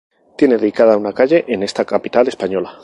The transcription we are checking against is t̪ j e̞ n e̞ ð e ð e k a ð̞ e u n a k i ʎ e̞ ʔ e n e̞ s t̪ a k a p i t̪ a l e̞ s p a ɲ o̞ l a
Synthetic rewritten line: t̪ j e̞ n e̞ ð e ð i k a ð̞ a u n a k a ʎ e̞ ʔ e n e̞ s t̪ a k a p i t̪ a l e̞ s p a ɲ o̞ l a